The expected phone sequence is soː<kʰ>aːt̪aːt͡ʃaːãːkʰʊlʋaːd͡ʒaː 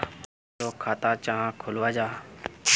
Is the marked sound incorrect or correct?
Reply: correct